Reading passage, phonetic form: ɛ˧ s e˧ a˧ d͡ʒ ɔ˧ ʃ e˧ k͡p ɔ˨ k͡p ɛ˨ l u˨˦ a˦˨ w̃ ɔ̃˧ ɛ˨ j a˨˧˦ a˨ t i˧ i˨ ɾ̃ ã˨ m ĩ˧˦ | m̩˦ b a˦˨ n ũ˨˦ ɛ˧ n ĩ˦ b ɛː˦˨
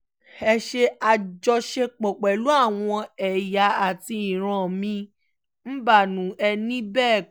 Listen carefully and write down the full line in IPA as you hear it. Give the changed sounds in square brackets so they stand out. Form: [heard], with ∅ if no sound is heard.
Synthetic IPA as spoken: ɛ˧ [ʃ] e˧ a˧ d͡ʒ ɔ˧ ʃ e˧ k͡p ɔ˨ k͡p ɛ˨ l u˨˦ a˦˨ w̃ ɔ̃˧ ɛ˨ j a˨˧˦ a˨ t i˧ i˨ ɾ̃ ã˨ m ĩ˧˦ | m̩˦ b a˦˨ n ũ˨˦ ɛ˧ n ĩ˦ b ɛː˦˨